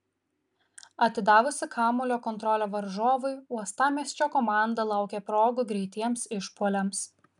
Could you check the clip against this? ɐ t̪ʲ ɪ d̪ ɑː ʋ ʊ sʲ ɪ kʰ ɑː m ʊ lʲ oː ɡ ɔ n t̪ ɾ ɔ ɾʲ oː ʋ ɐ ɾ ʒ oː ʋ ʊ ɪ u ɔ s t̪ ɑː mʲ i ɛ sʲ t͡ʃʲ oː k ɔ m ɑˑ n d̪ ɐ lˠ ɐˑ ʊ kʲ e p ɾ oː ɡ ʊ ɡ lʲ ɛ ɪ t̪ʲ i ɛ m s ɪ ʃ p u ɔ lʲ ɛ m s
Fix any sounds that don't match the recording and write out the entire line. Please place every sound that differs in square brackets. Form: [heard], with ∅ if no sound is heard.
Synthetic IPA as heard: ɐ t̪ʲ ɪ d̪ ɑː ʋ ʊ sʲ ɪ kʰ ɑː m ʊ lʲ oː [k] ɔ n t̪ ɾ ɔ [lʲ] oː ʋ ɐ ɾ ʒ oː ʋ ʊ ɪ u ɔ s t̪ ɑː mʲ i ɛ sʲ t͡ʃʲ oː k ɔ m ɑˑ n d̪ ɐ lˠ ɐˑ ʊ kʲ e p ɾ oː ɡ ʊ ɡ [ɾʲ] ɛ ɪ t̪ʲ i ɛ m s ɪ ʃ p u ɔ lʲ ɛ m s